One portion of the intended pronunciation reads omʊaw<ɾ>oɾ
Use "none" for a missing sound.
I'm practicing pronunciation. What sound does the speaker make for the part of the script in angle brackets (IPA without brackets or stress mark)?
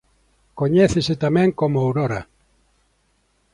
ɾ